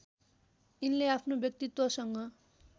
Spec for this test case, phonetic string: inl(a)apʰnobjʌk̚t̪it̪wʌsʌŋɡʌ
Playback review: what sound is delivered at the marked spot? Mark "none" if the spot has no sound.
e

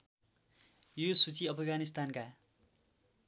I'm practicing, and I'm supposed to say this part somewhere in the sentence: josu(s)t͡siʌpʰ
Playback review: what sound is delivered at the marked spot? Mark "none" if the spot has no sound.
none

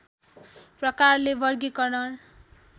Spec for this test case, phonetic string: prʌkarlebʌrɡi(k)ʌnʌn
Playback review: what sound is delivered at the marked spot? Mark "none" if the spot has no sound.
k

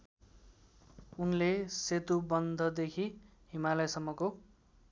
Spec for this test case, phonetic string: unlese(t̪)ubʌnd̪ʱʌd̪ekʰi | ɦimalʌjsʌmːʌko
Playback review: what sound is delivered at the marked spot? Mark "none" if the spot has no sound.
t̪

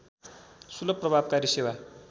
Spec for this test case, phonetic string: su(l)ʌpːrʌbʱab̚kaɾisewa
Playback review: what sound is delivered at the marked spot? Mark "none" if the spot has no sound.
l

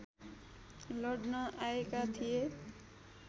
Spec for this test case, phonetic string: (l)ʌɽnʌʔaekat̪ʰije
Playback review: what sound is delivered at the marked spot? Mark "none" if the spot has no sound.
l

